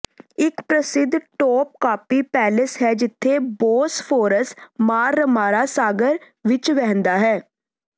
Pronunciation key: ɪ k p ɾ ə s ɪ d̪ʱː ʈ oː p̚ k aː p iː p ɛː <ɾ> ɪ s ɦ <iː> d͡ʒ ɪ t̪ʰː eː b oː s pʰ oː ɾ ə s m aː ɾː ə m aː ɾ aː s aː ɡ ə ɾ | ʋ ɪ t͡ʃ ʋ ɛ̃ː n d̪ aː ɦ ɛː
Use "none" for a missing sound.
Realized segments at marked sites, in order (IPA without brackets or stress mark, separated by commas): l, ɛː